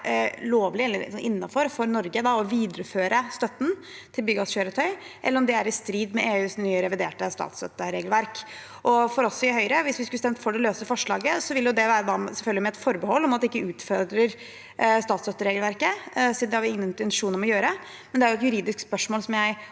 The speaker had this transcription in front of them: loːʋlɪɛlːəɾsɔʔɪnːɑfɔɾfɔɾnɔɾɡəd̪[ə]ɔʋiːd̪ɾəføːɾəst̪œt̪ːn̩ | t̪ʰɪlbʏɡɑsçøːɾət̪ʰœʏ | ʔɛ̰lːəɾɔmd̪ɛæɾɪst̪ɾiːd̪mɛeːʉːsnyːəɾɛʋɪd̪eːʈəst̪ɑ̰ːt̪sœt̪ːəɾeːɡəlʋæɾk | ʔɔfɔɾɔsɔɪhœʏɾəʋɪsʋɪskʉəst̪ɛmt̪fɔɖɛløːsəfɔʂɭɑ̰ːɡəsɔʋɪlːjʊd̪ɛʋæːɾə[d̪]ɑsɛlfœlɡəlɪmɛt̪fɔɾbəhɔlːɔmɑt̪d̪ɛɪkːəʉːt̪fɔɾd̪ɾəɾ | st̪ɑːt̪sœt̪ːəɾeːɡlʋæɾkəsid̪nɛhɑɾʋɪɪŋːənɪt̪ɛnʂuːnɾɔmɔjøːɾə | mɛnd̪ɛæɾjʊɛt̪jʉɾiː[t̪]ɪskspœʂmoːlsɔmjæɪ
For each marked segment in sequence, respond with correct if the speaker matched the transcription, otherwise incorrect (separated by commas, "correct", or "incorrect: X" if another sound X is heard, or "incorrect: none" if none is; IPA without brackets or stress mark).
incorrect: ɑ, correct, incorrect: d̪